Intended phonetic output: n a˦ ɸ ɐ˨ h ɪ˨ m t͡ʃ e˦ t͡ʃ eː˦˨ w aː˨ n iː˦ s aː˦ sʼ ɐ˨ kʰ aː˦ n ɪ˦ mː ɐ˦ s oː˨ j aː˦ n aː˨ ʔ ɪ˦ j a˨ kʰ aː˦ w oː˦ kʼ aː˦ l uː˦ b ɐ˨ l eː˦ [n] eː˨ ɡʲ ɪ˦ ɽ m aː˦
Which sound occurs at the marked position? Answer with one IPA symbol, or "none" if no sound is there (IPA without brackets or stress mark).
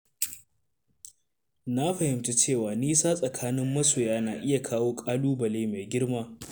m